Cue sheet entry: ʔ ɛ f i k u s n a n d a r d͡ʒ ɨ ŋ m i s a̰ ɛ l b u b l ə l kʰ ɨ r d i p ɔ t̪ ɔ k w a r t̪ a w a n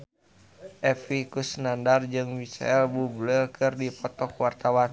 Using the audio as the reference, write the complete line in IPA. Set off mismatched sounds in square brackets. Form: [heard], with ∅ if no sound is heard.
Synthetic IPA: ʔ ɛ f i k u s n a n d a r d͡ʒ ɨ ŋ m i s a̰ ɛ l b u b l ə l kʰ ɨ r d i p ɔ t̪ ɔ k w a r t̪ a w a n